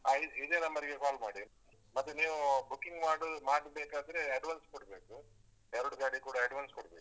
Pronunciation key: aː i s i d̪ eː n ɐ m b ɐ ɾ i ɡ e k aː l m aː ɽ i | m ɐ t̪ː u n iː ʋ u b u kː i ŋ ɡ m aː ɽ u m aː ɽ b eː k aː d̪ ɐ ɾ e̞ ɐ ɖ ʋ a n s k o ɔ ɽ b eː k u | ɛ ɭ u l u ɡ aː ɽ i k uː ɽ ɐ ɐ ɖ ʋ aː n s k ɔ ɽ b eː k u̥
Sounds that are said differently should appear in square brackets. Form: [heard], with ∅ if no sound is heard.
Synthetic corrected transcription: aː i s i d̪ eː n ɐ m b ɐ ɾ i ɡ e k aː l m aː ɽ i | m ɐ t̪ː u n iː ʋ u b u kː i ŋ ɡ m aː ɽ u m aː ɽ b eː k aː d̪ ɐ ɾ e̞ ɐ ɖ ʋ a n s k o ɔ ɽ b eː k u | ɛ [ɾ] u [ɽ] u ɡ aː ɽ i k uː ɽ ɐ ɐ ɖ ʋ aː n s k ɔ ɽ b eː k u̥